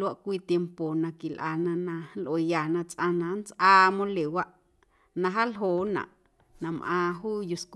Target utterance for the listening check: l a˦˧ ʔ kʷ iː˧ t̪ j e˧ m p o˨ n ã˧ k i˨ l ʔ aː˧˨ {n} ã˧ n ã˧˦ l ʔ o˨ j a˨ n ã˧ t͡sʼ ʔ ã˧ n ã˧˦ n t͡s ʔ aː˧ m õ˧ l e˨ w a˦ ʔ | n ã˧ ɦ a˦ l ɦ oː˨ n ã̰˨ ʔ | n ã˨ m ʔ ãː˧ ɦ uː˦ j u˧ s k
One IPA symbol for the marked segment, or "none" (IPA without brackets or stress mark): n